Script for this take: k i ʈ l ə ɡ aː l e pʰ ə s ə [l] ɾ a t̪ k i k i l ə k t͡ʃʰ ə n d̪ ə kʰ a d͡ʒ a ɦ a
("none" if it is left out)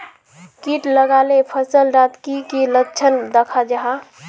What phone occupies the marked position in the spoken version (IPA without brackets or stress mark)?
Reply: l